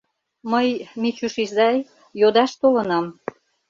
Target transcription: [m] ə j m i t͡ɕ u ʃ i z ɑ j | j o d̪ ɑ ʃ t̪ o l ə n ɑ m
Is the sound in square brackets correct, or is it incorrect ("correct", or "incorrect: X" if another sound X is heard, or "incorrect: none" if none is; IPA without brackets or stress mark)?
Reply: correct